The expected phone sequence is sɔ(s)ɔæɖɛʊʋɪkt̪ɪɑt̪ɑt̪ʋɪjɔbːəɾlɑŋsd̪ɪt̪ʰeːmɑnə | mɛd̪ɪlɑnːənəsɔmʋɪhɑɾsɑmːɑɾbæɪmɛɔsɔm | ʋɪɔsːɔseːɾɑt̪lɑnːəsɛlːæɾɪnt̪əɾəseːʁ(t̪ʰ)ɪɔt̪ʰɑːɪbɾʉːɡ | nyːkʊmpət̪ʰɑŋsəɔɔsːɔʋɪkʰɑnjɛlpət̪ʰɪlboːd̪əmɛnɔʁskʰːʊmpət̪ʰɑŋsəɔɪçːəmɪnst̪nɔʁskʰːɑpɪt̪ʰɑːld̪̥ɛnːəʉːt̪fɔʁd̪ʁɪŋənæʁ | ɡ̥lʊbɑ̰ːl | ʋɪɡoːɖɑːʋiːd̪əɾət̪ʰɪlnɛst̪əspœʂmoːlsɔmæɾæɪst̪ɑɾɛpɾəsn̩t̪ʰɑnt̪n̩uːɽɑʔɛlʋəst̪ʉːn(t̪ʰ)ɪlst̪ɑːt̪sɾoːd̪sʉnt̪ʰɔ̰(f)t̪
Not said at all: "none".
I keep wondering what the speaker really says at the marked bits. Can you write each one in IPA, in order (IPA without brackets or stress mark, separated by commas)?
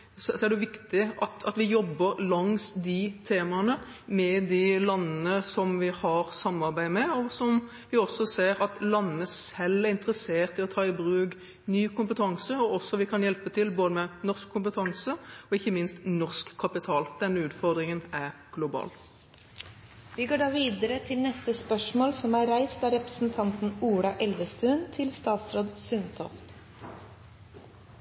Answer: s, t̪, t̪ʰ, f